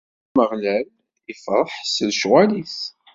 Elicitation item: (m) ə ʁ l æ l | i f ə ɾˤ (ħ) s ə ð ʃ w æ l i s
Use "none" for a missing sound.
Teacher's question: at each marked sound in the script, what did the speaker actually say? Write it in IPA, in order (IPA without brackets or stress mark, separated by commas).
m, ħ